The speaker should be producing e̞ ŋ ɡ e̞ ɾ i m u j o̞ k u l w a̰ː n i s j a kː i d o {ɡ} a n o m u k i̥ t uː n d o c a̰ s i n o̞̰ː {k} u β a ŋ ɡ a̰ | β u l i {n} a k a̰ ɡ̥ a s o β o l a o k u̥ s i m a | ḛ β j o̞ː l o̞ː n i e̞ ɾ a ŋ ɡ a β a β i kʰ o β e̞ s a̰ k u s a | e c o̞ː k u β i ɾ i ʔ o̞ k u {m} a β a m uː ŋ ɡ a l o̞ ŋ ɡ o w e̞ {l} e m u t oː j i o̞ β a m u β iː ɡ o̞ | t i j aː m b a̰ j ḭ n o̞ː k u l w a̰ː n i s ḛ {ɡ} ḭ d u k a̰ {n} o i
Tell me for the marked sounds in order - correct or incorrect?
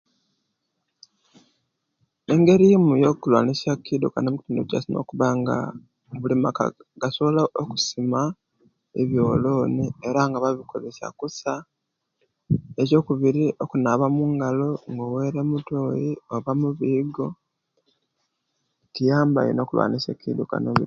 incorrect, correct, incorrect, incorrect, incorrect, incorrect, correct

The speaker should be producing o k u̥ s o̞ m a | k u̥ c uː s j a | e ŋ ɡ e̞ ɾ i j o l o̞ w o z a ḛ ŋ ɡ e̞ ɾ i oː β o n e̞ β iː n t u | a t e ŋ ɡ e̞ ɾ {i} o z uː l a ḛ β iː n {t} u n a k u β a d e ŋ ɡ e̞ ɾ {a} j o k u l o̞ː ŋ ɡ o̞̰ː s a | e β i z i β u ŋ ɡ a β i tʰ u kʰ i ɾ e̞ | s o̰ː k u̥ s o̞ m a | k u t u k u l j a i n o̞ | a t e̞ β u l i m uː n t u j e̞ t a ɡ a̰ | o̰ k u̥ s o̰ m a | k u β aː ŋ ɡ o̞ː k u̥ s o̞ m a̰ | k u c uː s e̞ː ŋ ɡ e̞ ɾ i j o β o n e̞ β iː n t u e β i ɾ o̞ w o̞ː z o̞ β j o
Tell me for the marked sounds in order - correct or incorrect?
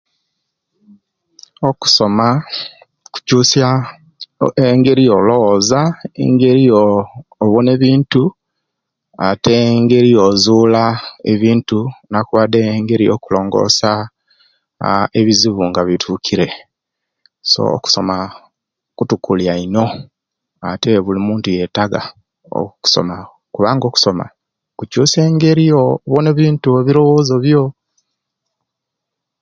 correct, correct, incorrect

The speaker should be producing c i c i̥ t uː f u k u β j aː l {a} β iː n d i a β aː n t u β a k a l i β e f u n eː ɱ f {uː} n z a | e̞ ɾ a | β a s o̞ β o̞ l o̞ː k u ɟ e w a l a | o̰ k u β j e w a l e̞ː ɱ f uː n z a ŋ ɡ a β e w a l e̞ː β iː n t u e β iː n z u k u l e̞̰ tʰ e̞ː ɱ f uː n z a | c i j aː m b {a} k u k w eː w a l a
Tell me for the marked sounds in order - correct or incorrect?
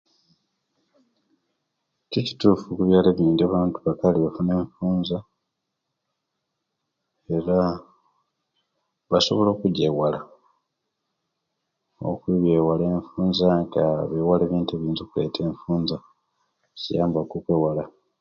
incorrect, correct, correct

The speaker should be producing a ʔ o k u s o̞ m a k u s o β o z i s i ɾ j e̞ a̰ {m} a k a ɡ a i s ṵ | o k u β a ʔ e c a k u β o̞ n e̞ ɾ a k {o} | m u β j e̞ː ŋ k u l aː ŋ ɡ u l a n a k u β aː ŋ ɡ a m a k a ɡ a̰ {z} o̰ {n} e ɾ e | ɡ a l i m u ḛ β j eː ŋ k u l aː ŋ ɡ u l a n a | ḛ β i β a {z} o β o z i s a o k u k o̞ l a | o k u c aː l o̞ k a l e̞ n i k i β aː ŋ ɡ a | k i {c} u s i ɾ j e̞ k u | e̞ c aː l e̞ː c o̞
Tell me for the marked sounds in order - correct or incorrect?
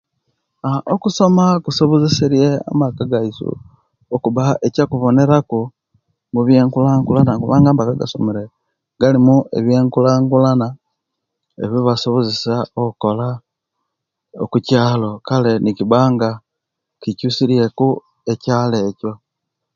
correct, incorrect, incorrect, incorrect, incorrect, correct

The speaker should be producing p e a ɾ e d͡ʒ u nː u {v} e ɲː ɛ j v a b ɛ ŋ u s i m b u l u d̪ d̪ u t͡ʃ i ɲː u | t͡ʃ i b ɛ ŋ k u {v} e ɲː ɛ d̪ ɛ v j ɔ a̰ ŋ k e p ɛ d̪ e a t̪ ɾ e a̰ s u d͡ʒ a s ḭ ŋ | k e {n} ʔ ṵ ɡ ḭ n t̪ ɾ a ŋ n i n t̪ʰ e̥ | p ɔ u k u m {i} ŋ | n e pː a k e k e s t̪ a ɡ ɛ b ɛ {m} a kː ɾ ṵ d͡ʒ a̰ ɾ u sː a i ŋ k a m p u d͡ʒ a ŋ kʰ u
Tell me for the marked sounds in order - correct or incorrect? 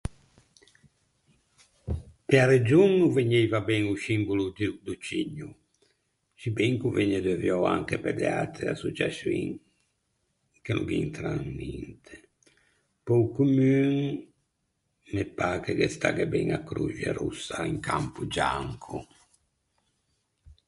correct, correct, correct, incorrect, incorrect

